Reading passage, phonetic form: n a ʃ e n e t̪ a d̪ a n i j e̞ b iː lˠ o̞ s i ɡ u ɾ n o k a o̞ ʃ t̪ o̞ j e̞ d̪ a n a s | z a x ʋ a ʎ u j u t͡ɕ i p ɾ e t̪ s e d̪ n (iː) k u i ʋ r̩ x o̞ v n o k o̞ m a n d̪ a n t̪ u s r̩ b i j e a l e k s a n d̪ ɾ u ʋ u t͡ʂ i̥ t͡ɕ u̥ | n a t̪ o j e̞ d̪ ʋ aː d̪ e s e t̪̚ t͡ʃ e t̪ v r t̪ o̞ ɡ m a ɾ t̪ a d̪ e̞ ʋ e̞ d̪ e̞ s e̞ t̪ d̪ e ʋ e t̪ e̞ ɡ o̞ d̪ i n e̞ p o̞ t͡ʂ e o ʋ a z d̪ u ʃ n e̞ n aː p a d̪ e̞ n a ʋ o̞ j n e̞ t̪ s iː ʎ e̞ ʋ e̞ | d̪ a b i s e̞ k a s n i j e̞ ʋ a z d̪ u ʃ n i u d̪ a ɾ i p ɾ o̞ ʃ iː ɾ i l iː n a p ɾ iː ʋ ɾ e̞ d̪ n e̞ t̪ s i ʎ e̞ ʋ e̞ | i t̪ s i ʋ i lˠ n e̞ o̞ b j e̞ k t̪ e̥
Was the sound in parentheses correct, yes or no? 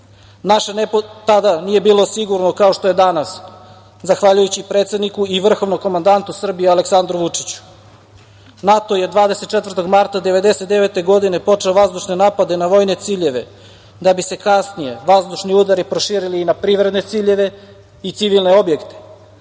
no